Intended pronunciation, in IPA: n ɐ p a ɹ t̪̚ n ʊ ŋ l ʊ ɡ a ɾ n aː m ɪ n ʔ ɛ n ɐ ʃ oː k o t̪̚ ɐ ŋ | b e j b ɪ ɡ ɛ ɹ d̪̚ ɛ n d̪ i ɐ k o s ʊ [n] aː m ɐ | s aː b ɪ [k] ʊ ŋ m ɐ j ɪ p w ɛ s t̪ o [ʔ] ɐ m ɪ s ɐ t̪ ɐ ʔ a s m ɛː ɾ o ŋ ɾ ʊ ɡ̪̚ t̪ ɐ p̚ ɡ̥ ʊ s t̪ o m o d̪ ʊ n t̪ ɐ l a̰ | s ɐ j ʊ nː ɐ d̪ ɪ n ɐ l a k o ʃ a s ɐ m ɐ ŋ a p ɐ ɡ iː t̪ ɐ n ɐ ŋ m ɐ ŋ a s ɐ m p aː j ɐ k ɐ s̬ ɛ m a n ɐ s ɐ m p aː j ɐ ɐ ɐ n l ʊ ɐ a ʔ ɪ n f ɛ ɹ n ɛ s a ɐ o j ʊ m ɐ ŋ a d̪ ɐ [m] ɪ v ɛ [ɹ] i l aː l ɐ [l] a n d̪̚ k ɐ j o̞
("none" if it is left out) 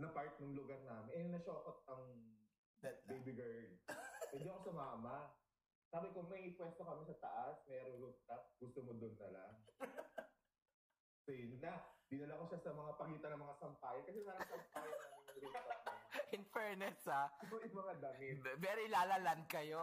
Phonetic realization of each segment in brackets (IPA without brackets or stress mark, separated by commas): m, k, k, m, ɾ, l